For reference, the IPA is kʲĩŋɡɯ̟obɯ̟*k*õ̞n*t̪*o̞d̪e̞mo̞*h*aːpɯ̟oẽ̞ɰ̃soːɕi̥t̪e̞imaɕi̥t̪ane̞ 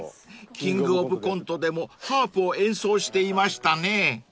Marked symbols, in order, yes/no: yes, yes, yes

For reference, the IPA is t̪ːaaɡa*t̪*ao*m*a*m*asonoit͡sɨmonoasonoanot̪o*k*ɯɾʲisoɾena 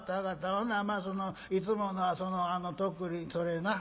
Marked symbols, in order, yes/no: yes, no, yes, yes

